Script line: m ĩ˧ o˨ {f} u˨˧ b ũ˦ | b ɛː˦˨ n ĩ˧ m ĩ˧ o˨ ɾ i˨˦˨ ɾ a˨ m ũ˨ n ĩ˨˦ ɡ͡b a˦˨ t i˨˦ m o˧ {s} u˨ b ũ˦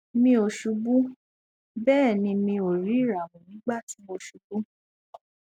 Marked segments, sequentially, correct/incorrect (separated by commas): incorrect, incorrect